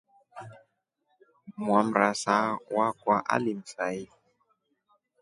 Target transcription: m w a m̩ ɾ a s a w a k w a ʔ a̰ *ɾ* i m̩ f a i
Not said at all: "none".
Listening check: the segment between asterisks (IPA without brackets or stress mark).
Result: l